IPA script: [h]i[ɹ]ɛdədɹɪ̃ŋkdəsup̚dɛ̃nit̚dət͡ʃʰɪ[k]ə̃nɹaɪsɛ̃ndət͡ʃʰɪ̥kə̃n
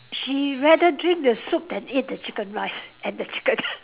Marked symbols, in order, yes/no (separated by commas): no, yes, yes